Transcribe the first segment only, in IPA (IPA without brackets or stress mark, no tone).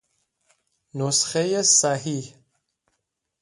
n